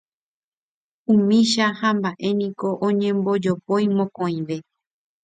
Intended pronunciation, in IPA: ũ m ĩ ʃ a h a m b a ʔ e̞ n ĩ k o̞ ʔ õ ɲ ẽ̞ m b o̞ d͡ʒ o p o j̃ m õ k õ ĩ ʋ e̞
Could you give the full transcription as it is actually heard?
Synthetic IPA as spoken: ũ m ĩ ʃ a h a m b a ʔ e̞ n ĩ k o̞ ʔ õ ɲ ẽ̞ m b o̞ d͡ʒ o p o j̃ m õ k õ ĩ ʋ e̞

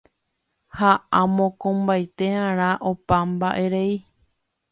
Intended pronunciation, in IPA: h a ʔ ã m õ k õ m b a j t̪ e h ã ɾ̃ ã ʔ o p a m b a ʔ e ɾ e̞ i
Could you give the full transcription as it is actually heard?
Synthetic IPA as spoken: h a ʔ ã m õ k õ m b a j t̪ e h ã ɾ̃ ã ʔ o p a m b a ʔ e ɾ e̞ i

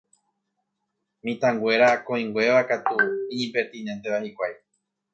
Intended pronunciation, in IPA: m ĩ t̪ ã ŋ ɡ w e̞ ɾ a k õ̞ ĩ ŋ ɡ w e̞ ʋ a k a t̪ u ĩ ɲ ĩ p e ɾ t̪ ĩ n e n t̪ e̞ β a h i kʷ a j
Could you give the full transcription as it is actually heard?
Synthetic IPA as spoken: m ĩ t̪ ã ŋ ɡ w e̞ ɾ a k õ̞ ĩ ŋ ɡ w e̞ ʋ a k a t̪ u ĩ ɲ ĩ p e ɾ t̪ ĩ n e n t̪ e̞ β a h i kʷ a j

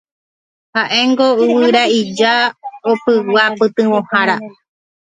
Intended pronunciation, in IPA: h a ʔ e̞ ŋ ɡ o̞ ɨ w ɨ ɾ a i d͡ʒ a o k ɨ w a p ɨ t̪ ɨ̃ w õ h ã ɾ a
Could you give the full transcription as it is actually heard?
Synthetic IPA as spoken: h a ʔ e̞ ŋ ɡ o̞ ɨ w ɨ ɾ a i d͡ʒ a o p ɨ w a p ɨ t̪ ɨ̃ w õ h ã ɾ a

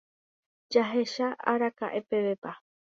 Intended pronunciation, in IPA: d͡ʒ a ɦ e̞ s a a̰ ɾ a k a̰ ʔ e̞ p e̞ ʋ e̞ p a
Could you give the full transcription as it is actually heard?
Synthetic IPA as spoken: d͡ʒ a ɦ e̞ ʃ a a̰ ɾ a k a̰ ʔ e̞ p e̞ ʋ e̞ p a

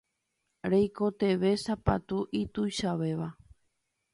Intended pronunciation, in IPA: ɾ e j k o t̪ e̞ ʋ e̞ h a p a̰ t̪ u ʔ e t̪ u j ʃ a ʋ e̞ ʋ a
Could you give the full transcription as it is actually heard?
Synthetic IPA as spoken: ɾ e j k o t̪ e̞ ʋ e̞ s a p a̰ t̪ u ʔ i t̪ u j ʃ a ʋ e̞ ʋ a

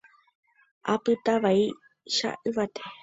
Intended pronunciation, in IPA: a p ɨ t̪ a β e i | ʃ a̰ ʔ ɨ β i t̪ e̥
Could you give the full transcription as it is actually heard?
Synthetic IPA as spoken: a p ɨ t̪ a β a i | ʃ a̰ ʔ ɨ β a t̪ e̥

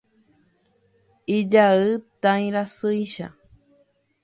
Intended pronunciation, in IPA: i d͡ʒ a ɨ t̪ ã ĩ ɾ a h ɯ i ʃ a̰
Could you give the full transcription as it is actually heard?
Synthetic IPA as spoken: i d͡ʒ a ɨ t̪ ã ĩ ɾ a s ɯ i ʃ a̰

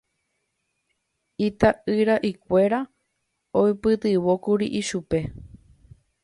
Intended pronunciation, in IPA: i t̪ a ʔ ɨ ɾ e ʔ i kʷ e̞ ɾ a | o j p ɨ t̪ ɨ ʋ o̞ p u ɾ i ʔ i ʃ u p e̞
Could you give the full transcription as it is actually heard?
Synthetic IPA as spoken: i t̪ a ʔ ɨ ɾ a ʔ i kʷ e̞ ɾ a | o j p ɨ t̪ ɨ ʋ o̞ k u ɾ i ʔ i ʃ u p e̞

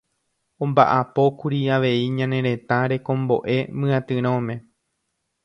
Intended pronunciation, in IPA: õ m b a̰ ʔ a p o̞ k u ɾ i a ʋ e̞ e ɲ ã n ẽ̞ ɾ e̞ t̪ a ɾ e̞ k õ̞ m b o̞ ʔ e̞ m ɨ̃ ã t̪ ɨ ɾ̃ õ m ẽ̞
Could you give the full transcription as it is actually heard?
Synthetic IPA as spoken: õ m b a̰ ʔ a p o̞ k u ɾ i a ʋ e̞ i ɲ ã n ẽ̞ ɾ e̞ t̪ a ɾ e̞ k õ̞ m b o̞ ʔ e̞ m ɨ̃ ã t̪ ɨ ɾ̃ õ m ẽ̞

